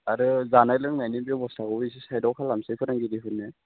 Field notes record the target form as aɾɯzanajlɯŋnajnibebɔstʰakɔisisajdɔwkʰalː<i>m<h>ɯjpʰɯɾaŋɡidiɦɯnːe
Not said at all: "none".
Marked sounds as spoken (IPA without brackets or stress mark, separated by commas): a, s